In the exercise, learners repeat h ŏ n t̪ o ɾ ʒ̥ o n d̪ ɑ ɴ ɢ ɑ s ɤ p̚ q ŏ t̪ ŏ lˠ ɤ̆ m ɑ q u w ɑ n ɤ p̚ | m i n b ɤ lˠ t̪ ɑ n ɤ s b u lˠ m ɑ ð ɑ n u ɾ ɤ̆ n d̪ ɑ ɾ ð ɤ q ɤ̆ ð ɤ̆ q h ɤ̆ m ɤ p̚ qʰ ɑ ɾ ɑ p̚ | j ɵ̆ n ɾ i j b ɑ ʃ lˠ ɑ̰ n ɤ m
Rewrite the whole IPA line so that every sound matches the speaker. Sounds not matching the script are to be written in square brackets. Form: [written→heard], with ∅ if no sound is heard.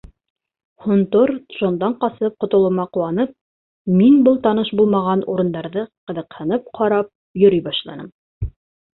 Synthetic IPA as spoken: h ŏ n t̪ o ɾ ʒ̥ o n d̪ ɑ ɴ [ɢ→q] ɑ s ɤ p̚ q ŏ t̪ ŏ lˠ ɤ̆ m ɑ q u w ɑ n ɤ p̚ | m i n b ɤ lˠ t̪ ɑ n ɤ [s→ʃ] b u lˠ m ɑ [ð→ʁ] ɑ n u ɾ ɤ̆ n d̪ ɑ ɾ ð ɤ q ɤ̆ ð ɤ̆ q h ɤ̆ [m→n] ɤ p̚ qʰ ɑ ɾ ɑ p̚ | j ɵ̆ [n→∅] ɾ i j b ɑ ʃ lˠ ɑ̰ n ɤ m